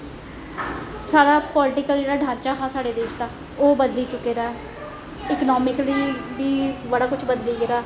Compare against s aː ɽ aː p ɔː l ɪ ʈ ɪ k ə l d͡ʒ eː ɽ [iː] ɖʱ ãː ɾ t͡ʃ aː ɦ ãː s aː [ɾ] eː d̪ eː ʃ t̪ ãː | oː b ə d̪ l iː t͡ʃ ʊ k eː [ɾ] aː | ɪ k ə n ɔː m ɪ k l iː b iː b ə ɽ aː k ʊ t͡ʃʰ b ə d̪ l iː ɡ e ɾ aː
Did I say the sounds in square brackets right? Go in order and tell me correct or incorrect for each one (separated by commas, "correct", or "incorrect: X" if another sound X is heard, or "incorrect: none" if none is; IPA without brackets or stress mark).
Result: incorrect: aː, incorrect: ɽ, correct